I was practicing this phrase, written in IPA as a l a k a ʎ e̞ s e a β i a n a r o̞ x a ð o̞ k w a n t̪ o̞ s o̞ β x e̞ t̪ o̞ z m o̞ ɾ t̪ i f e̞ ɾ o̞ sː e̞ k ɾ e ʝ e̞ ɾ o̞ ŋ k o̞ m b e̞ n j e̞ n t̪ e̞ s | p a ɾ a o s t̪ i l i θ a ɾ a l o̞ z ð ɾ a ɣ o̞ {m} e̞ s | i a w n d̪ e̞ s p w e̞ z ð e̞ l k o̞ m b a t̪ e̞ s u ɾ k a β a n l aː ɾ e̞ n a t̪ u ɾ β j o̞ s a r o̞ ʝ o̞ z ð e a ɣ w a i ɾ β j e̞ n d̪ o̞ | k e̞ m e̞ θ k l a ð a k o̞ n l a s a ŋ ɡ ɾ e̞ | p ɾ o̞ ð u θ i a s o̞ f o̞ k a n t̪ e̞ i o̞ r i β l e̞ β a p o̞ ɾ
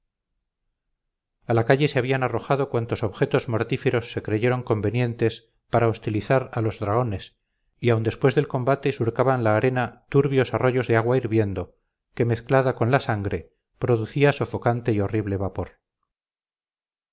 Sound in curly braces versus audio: incorrect: n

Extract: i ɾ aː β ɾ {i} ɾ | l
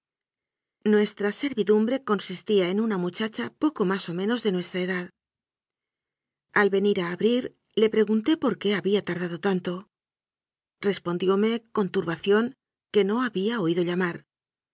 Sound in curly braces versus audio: correct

